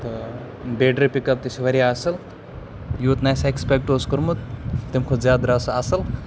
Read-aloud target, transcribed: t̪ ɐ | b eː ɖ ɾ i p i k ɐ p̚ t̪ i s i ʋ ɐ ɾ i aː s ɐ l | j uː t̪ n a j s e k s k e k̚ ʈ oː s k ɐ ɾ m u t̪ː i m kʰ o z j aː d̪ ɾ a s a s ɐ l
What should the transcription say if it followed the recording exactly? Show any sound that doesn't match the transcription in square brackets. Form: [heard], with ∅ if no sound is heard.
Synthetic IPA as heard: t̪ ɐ | b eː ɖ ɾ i p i k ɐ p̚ t̪ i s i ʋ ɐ ɾ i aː s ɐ l | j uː t̪ n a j s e k s [p] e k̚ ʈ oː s k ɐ ɾ m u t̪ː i m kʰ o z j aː d̪ ɾ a s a s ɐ l

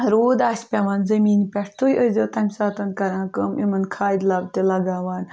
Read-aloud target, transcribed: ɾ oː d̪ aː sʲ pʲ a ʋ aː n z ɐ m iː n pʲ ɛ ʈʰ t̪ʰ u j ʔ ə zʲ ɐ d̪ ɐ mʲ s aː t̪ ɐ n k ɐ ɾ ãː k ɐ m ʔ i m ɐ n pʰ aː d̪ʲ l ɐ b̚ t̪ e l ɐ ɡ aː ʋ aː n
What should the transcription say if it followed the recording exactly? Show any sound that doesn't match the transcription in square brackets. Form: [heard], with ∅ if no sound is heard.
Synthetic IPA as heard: ɾ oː d̪ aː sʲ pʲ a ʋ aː n z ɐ m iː n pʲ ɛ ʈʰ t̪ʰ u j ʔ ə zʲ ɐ [t̪] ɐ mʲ s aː t̪ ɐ n k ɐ ɾ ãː k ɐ m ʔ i m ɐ n [kʰ] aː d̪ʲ l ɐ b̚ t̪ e l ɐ ɡ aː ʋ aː n

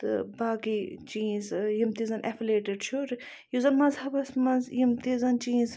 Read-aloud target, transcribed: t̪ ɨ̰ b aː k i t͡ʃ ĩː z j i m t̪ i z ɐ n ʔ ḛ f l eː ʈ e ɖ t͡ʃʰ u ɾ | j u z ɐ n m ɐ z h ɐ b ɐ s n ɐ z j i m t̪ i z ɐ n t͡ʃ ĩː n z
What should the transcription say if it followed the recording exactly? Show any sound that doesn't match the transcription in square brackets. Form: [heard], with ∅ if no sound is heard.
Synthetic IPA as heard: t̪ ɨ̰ b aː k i t͡ʃ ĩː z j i m t̪ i z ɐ n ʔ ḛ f l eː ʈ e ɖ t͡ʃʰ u ɾ | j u z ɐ n m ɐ z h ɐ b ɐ s [m] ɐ z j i m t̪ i z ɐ n t͡ʃ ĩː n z

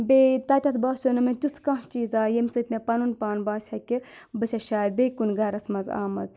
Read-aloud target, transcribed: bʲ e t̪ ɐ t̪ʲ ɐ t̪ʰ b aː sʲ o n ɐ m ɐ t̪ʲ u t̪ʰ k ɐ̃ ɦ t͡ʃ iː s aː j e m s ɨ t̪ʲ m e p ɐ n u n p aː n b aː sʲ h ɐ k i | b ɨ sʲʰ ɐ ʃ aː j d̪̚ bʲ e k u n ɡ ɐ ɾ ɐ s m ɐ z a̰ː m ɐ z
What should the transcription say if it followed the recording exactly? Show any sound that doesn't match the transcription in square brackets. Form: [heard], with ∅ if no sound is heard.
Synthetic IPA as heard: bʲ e t̪ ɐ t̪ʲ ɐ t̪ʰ b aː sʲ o n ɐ m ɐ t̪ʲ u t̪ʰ k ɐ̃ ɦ t͡ʃ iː [z] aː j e m s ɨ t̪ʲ m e p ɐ n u n p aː n b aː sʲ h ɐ k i | b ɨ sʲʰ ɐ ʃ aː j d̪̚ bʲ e k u n ɡ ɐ ɾ ɐ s m ɐ z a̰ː m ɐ z

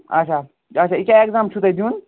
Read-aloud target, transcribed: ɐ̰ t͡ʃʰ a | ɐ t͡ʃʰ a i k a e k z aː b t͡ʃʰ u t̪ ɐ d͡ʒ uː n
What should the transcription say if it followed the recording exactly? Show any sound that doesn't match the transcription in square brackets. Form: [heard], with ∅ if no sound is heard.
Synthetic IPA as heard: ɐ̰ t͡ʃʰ a | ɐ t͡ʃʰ a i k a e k z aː [m] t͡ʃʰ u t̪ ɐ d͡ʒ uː n

